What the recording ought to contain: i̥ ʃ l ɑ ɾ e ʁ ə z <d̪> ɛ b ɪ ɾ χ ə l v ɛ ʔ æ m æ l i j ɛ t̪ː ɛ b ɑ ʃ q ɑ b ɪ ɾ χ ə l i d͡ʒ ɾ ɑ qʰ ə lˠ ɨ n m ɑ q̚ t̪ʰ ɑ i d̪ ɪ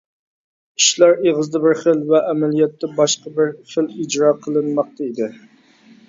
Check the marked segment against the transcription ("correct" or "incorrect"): correct